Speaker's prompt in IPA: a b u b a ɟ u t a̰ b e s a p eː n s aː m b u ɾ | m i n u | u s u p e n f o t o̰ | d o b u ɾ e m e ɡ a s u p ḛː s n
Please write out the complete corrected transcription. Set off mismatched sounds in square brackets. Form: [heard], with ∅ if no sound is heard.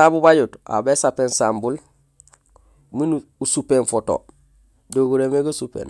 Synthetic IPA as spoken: a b u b a ɟ u t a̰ b e s a p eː n s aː m b u [l] | m i n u | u s u p e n f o t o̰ | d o [ɡ] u ɾ e m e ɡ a s u p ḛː [∅] n

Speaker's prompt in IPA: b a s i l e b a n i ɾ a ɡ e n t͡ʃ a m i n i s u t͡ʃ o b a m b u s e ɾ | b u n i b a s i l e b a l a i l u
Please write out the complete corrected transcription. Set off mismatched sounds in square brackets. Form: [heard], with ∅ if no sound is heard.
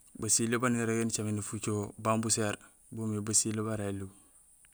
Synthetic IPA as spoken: b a s i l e b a n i ɾ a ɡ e n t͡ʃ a m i n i [f] u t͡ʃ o b a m b u s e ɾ | b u [m] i b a s i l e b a [ɾ] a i l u

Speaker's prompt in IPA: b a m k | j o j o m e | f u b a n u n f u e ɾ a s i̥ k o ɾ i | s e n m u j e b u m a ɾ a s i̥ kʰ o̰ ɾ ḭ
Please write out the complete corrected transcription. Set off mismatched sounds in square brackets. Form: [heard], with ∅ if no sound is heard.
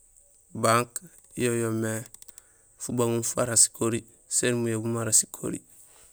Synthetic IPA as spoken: b a [ŋ] k | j o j o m e | f u b a [ŋ] u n f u [a] ɾ a s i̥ k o ɾ i | s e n m u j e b u m a ɾ a s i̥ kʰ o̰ ɾ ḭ

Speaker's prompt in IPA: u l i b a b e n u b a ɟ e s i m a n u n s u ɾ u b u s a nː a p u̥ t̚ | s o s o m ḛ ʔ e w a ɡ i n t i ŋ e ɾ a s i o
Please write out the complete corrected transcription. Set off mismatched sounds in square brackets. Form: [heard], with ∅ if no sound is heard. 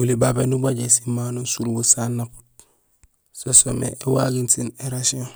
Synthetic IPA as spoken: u l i b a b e n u b a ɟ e s i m a n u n s u ɾ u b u s a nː a p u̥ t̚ | s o s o m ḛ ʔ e w a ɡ i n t i [n] e ɾ a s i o

